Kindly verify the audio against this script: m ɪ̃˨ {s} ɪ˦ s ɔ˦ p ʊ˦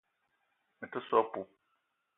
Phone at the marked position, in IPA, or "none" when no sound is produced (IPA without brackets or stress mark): t